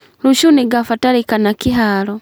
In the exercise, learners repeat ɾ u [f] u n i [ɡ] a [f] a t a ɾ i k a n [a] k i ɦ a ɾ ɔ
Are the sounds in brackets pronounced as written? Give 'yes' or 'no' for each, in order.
no, yes, yes, yes

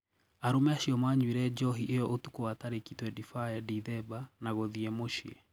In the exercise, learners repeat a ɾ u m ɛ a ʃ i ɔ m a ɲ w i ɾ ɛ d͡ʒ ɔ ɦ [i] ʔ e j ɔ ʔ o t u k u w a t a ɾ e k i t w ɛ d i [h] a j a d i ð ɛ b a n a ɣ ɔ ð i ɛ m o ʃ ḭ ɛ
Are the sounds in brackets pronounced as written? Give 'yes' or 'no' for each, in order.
yes, no

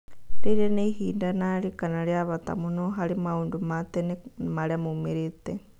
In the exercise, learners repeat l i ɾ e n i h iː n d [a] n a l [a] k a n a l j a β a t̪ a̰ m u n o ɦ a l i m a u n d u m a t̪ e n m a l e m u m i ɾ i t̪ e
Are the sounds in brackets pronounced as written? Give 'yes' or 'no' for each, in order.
yes, no

